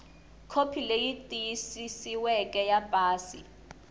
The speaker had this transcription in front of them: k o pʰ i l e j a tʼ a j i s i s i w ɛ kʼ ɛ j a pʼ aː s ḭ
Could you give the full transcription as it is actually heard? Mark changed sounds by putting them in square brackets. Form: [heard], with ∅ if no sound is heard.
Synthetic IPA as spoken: [kʰ] o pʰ i l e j [i] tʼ [i] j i s i s i w ɛ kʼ ɛ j a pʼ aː s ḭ